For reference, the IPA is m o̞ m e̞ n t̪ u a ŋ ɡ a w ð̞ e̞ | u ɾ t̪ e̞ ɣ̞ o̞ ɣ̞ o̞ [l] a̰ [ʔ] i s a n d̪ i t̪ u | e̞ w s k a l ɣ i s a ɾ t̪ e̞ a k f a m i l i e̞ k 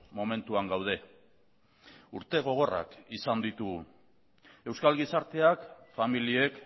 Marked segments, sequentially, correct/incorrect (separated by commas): incorrect, incorrect